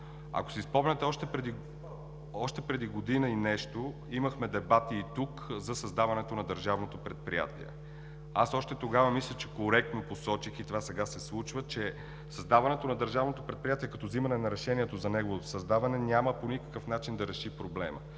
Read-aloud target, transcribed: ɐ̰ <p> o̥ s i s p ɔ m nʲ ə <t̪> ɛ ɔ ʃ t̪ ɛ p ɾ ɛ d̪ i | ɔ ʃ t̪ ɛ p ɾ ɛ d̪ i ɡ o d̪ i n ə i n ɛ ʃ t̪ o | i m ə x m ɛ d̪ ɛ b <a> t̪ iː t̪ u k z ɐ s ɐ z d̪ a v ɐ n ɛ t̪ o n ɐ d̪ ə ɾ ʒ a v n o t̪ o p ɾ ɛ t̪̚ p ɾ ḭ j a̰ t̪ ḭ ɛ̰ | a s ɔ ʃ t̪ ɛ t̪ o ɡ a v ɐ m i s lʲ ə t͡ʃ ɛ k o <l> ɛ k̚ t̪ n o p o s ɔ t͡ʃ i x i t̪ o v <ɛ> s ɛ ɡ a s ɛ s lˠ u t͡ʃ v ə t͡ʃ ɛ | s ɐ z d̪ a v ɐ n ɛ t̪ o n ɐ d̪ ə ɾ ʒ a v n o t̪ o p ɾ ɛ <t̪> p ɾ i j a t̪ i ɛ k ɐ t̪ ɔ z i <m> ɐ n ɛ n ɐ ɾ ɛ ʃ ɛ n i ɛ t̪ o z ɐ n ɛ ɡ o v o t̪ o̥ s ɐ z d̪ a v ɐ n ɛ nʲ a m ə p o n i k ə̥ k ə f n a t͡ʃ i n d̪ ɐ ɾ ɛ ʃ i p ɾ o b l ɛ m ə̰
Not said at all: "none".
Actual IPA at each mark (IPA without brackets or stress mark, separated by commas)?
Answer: k, t̪, a, ɾ, a, t̪, m